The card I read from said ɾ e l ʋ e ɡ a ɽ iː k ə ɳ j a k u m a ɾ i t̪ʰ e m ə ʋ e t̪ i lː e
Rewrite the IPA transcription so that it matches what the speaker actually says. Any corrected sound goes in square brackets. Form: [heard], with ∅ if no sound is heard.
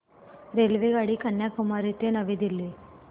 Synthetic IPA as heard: ɾ e l ʋ e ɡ a ɽ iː k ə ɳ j a k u m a ɾ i [t̪] e [n] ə ʋ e [d̪] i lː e